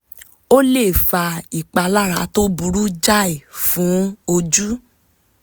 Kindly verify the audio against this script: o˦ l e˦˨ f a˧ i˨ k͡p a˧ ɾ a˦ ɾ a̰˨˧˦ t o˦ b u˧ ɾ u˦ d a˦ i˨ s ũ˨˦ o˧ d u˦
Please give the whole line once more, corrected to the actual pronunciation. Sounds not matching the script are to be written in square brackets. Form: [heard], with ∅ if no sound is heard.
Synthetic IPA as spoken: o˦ l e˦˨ f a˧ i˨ k͡p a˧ [l] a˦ ɾ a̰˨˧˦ t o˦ b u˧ ɾ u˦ [d͡ʒ] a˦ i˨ [f] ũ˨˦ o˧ [d͡ʒ] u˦